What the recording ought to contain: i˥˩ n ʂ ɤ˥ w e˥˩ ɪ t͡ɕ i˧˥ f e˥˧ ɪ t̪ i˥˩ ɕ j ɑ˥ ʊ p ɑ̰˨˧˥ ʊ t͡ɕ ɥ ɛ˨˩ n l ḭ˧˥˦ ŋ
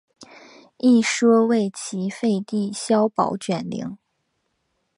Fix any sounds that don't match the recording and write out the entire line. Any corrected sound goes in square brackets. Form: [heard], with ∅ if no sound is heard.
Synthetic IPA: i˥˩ [∅] ʂ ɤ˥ w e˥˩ ɪ [t͡ɕʰ] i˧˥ f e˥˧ ɪ t̪ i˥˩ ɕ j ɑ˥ ʊ p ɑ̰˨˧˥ ʊ t͡ɕ ɥ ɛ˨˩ n l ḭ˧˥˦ ŋ